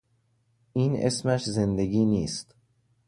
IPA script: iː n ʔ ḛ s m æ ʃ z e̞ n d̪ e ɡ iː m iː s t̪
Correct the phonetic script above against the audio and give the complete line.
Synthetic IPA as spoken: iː n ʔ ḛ s m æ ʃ z e̞ n d̪ e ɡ iː n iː s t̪

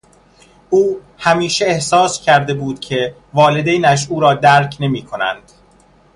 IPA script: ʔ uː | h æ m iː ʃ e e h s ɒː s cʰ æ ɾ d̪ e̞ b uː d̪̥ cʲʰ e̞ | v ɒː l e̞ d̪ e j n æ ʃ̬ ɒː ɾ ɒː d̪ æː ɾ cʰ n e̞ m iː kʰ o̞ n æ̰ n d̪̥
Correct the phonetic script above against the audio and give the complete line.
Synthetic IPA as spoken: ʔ uː | h æ m iː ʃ e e h s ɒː s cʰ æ ɾ d̪ e̞ b uː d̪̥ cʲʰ e̞ | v ɒː l e̞ d̪ e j n æ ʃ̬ uː ɾ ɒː d̪ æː ɾ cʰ n e̞ m iː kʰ o̞ n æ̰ n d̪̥

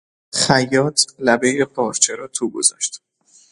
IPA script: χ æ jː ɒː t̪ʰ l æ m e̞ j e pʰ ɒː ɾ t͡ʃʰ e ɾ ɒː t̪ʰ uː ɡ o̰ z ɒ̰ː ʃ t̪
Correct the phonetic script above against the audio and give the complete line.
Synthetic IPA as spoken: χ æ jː ɒː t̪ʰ l æ b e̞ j e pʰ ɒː ɾ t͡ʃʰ e ɾ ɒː t̪ʰ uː ɡ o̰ z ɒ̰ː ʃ t̪

